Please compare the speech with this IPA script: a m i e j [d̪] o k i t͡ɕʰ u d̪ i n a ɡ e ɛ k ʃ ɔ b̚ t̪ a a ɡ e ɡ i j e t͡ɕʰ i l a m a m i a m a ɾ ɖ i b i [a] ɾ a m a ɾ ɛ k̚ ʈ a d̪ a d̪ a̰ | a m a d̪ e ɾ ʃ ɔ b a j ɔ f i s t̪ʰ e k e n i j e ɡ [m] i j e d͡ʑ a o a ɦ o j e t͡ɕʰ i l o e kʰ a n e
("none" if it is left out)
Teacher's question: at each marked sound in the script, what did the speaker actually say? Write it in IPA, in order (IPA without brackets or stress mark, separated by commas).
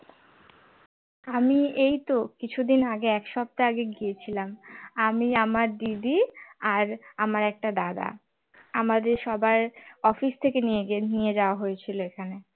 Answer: t̪, a, n